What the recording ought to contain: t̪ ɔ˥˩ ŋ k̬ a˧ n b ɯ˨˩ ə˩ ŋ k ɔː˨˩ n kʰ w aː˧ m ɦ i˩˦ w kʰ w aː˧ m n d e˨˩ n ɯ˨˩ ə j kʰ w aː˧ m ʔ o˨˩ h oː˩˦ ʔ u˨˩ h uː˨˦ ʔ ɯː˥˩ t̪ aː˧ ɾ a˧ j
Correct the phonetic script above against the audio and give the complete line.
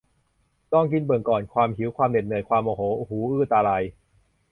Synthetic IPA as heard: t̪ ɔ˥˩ ŋ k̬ i˧ n b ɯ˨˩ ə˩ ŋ k ɔː˨˩ n kʰ w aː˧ m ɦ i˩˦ w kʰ w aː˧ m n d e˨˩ n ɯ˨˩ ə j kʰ w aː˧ m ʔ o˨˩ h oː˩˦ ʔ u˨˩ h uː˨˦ ʔ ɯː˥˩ t̪ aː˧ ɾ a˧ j